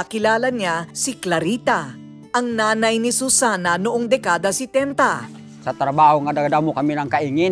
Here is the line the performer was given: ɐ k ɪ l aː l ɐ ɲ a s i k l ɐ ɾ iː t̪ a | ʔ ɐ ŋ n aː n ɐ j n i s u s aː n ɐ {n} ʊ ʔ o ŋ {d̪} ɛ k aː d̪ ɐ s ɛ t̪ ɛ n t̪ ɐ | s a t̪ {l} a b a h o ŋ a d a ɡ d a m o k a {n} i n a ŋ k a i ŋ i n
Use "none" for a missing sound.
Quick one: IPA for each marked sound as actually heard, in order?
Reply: n, d̪, ɾ, m

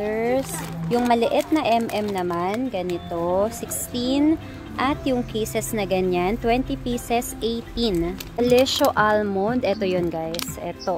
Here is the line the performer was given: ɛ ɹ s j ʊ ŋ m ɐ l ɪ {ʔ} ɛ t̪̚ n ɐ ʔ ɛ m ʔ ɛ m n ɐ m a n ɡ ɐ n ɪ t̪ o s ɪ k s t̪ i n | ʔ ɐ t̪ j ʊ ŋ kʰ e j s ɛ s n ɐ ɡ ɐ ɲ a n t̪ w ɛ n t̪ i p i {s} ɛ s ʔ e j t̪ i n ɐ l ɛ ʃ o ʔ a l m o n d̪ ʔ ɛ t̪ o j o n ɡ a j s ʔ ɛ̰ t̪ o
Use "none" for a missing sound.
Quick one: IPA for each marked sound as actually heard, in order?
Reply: ʔ, s

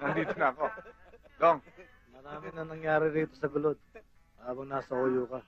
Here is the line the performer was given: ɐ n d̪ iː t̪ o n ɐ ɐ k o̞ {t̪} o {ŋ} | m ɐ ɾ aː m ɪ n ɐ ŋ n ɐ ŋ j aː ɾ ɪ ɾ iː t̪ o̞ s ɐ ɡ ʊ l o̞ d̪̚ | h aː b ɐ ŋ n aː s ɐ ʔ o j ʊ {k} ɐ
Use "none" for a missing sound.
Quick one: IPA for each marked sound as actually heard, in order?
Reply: d̪, ŋ, k

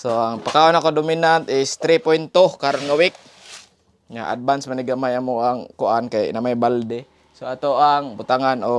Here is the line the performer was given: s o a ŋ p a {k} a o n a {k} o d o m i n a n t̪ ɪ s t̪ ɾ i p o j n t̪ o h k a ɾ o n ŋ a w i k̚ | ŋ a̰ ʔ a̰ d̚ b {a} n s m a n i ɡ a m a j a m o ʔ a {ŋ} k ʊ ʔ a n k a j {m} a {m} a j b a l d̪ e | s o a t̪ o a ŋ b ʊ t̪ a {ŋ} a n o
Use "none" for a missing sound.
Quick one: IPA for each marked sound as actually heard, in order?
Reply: k, k, a, ŋ, n, m, ŋ

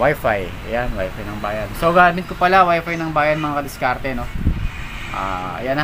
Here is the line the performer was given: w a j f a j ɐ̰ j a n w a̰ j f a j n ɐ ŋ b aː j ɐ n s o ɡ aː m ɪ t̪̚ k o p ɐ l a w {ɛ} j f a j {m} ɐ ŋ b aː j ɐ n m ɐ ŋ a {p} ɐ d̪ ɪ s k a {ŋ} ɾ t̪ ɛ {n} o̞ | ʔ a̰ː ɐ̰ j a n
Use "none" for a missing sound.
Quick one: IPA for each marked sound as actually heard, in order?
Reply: a, n, k, none, n

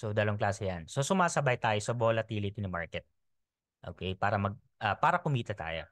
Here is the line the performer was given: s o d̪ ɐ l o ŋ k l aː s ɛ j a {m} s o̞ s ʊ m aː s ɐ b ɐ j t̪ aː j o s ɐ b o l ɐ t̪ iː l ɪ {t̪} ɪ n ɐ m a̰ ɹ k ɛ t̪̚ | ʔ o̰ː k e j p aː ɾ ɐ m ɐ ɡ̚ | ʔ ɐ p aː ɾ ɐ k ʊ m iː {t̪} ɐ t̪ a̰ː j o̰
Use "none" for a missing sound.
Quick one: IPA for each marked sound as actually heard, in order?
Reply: n, t̪, t̪

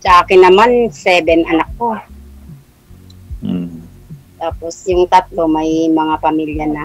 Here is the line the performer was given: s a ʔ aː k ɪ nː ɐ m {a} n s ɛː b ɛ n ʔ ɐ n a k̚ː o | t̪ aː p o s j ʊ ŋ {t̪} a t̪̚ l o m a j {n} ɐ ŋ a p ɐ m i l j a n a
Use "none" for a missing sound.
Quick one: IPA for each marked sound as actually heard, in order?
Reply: a, t̪, m

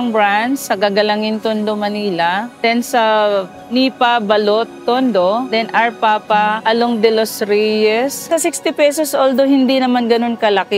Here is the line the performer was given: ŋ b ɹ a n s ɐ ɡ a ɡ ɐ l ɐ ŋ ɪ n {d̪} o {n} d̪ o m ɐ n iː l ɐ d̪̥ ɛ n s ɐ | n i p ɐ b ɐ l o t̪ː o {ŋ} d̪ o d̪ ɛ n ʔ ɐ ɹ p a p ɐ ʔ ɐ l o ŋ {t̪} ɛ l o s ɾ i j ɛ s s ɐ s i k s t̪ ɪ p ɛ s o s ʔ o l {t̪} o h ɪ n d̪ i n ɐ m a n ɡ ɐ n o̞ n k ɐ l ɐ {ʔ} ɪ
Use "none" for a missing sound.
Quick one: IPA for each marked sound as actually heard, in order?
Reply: t̪, n, n, d̪, d̪, k

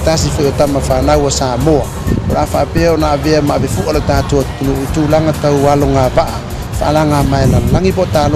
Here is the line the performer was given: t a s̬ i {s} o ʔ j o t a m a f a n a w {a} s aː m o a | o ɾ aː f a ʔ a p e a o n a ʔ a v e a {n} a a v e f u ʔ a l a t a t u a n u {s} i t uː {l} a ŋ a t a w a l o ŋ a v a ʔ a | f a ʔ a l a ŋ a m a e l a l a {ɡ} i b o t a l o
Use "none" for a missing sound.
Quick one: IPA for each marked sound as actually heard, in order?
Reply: f, a, m, none, l, ŋ

